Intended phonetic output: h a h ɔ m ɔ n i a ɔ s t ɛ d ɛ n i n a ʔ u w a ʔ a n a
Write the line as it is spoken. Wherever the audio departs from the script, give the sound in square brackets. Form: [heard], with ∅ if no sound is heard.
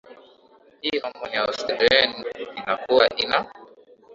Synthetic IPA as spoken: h [i] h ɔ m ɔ n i a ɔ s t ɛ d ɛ n i n a [k] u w a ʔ [i] n a